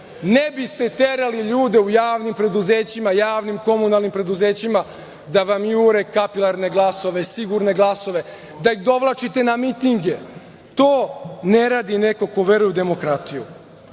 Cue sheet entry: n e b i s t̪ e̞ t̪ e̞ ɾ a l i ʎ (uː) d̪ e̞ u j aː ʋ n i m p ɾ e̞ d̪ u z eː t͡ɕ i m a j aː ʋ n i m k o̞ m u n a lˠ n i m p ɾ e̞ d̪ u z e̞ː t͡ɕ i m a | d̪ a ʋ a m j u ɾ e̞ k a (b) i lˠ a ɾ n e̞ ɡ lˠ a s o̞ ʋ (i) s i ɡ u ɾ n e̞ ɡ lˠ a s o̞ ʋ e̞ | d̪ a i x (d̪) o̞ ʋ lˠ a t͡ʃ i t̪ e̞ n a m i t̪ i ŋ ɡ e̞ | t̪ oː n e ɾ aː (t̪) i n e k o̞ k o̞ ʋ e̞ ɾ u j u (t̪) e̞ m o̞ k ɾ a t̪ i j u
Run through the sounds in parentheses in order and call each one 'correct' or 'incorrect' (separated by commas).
correct, incorrect, incorrect, correct, incorrect, incorrect